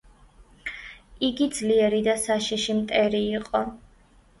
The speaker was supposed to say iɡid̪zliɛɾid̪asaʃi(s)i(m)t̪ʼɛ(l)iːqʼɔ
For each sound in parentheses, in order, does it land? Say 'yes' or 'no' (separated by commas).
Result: no, yes, no